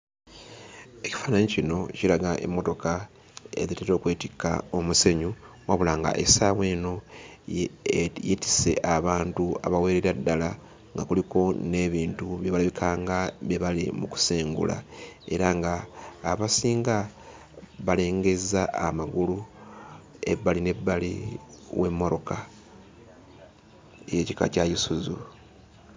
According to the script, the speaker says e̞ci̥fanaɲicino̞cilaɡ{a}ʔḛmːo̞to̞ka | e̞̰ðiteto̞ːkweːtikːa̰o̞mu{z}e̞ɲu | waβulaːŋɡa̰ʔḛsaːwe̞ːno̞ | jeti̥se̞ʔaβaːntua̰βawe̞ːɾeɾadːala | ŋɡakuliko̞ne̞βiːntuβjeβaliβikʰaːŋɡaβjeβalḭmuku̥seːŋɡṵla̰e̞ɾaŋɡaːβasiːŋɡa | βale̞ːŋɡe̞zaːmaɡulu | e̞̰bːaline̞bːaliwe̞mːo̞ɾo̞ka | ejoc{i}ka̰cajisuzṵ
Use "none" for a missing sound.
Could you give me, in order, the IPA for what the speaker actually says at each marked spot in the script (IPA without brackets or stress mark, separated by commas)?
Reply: a, s, i